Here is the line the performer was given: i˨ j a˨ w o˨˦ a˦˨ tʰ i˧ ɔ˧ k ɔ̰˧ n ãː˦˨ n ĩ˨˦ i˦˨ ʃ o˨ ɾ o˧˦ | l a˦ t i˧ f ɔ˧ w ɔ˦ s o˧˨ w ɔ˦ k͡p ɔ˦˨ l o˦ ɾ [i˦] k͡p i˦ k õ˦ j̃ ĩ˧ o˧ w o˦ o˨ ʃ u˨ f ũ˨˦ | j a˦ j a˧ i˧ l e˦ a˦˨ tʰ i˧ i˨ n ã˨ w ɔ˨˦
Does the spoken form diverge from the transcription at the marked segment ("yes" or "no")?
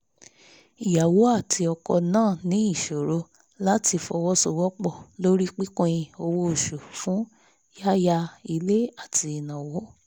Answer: no